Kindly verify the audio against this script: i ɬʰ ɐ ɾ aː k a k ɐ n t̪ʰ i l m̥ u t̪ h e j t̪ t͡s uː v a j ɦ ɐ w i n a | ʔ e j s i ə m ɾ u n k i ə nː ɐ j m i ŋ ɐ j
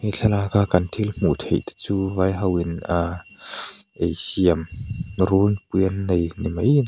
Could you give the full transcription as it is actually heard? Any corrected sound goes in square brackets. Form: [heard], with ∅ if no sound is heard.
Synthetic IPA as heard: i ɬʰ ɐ [l] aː k a k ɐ n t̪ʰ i l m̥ u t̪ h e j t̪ t͡s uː v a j ɦ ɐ w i n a | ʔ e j s i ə m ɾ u n [p] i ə nː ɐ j [n] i [m] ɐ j

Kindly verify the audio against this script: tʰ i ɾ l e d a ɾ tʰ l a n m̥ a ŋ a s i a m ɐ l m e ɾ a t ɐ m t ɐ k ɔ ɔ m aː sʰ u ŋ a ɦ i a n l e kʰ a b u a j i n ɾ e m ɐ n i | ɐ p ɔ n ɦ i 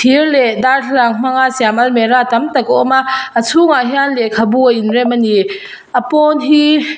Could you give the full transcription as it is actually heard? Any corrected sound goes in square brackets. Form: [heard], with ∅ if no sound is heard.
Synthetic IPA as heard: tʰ i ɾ l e d a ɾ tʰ l a [ŋ] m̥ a ŋ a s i a m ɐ l m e ɾ a t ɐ m t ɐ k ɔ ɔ m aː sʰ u ŋ a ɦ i a n l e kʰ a b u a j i n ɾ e m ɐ n i | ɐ p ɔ n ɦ i

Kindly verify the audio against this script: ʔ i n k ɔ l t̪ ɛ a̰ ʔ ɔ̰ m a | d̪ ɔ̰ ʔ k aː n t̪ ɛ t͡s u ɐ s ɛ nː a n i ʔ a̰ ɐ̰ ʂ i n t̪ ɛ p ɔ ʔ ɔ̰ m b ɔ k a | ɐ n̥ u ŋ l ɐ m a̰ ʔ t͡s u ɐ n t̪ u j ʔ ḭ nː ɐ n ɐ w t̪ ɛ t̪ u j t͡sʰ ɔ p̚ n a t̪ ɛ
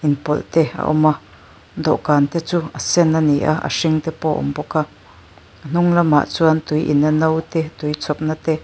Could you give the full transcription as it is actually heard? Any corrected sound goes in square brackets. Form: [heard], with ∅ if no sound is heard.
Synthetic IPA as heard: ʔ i n [p] ɔ l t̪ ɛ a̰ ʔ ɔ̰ m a | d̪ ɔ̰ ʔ k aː n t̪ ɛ t͡s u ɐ s ɛ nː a n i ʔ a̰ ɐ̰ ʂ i [ŋ] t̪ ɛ p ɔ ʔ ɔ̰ m b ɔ k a | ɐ n̥ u ŋ l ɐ m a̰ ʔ t͡s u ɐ n t̪ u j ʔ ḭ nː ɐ n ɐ w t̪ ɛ t̪ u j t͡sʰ ɔ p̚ n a t̪ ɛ

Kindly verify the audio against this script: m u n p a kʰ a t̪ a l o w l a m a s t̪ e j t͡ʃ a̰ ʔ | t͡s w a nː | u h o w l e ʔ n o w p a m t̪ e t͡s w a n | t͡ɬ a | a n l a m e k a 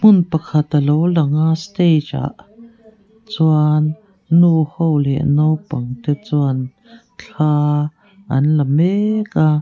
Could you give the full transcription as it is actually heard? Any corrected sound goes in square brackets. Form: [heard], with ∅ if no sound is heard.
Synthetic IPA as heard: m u n p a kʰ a t̪ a l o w l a [ŋ] a s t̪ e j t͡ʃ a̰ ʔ | t͡s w a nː | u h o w l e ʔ n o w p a [ŋ] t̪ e t͡s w a n | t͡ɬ a | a n l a m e k a

